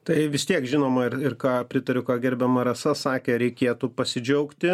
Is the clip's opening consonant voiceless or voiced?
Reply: voiceless